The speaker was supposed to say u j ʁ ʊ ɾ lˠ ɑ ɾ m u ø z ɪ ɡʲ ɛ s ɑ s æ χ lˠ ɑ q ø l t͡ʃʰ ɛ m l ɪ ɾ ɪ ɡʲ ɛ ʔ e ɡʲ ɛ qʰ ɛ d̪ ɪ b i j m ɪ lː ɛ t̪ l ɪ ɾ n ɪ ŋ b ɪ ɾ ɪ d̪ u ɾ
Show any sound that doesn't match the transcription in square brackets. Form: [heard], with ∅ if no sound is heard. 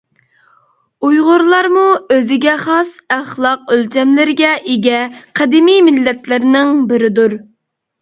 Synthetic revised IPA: u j ʁ ʊ ɾ lˠ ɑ ɾ m u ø z ɪ ɡʲ ɛ [χ] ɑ s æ χ lˠ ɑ q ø l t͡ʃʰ ɛ m l ɪ ɾ ɪ ɡʲ ɛ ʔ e ɡʲ ɛ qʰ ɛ d̪ ɪ [m] i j m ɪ lː ɛ t̪ l ɪ ɾ n ɪ ŋ b ɪ ɾ ɪ d̪ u ɾ